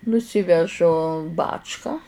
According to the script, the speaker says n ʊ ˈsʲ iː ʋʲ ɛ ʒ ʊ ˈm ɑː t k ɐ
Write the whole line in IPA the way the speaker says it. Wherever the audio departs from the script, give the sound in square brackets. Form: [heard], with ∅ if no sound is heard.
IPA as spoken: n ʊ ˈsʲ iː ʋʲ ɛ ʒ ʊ [ˈb] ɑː [t͡ʃ] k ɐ